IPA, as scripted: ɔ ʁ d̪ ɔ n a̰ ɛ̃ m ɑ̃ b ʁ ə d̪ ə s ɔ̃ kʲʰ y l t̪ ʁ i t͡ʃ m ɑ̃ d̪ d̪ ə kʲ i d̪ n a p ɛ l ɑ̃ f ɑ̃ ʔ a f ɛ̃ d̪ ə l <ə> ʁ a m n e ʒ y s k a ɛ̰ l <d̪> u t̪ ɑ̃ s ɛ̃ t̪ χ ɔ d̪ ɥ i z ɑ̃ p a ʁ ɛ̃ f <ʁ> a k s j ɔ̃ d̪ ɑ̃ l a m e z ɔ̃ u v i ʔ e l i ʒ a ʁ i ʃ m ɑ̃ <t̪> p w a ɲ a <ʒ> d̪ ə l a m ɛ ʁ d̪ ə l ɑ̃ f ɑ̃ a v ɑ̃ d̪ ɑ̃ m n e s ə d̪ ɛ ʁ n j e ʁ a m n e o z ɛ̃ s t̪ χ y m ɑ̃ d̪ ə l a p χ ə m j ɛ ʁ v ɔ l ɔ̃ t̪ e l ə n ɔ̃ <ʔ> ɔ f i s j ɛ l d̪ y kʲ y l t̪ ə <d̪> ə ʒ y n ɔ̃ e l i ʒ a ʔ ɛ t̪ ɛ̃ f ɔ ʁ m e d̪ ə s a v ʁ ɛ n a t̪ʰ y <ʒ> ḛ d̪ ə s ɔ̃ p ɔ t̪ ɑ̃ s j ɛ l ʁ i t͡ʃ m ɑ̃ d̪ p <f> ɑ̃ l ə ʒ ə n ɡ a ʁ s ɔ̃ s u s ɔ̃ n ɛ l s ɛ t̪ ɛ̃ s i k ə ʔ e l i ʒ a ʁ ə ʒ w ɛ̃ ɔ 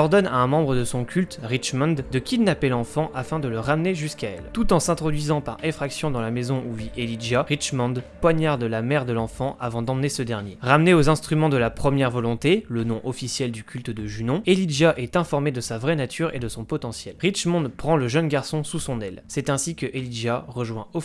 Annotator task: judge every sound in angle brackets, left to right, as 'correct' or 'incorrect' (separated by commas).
correct, incorrect, incorrect, incorrect, incorrect, correct, correct, incorrect, incorrect